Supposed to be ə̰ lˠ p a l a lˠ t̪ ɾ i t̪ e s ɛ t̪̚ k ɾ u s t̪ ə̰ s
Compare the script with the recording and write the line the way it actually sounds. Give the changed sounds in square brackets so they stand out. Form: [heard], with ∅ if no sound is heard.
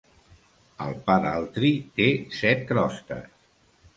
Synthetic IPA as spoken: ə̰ lˠ p a [ɾ] a lˠ t̪ ɾ i t̪ e s ɛ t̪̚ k ɾ [ɔ] s t̪ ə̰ s